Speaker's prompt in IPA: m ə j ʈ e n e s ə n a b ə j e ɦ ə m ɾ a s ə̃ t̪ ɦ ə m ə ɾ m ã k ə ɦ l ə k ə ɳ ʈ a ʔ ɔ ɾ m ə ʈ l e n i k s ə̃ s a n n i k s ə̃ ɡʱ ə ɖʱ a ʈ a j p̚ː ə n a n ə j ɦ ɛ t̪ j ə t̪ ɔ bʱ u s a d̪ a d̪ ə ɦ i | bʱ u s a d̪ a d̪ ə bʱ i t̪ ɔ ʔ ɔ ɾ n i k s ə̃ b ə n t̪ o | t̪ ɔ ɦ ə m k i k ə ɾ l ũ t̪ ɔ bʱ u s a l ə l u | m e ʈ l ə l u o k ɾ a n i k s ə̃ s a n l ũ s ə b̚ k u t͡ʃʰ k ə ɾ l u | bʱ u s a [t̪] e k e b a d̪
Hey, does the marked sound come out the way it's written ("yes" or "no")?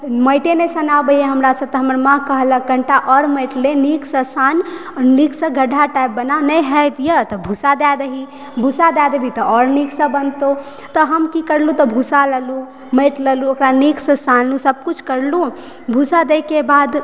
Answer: no